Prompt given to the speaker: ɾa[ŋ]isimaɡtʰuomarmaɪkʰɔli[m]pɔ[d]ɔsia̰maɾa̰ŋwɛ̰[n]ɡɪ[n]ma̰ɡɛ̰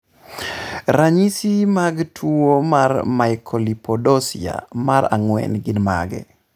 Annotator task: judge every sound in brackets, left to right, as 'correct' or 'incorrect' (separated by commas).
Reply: incorrect, incorrect, correct, correct, correct